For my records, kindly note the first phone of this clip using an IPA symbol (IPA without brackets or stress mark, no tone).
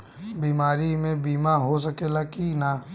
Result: b